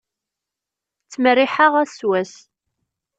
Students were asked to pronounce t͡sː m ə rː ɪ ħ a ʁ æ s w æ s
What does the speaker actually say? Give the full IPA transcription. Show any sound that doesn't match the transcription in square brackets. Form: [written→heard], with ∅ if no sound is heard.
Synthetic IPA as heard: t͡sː m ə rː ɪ ħ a ʁ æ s w æ s